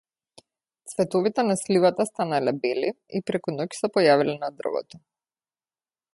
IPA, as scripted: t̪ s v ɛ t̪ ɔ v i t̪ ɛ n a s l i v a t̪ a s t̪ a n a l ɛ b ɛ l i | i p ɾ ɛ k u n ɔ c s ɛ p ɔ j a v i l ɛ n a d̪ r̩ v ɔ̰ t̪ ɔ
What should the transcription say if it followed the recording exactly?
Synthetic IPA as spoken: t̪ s v ɛ t̪ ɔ v i t̪ ɛ n a s l i v a t̪ a s t̪ a n a l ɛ b ɛ l i | i p ɾ ɛ k u n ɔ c s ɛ p ɔ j a v i l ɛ n a d̪ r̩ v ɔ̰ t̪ ɔ